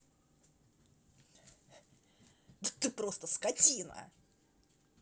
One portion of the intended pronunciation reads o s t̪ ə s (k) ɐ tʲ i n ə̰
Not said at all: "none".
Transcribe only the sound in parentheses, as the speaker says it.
k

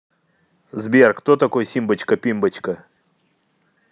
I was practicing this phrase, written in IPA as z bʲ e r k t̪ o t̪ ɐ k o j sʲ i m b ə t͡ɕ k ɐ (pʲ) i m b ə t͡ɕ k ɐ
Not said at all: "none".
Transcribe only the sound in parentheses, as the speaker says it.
pʲ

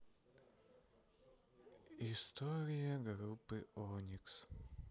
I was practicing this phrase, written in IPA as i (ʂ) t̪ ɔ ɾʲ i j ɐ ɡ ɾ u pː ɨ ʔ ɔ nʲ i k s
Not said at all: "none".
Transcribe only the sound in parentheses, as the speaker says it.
s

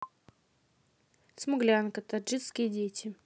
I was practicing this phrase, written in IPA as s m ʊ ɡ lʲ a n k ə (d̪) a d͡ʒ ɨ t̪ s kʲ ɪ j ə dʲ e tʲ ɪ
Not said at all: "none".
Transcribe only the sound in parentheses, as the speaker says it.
t̪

